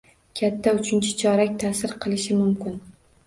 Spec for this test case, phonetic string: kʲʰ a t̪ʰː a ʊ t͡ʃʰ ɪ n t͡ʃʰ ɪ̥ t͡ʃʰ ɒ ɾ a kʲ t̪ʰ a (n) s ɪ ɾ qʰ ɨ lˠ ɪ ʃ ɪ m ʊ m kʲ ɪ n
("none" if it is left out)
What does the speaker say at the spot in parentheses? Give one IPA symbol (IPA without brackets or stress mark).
none